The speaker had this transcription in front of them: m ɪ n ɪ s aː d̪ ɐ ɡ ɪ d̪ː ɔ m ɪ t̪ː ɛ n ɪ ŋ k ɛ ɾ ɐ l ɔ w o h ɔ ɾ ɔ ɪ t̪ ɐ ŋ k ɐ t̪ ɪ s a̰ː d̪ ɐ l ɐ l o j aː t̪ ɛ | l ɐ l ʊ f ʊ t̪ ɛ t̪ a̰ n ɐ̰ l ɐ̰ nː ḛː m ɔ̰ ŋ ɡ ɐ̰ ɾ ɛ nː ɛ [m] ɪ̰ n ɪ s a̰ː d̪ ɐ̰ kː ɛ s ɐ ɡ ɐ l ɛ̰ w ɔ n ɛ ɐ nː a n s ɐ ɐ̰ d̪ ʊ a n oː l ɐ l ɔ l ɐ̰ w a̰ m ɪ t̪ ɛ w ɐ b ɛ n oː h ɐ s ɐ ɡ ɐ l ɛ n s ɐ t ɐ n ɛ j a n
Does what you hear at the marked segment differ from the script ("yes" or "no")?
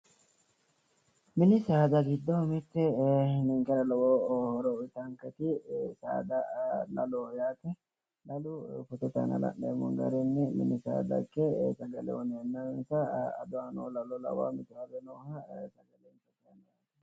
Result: no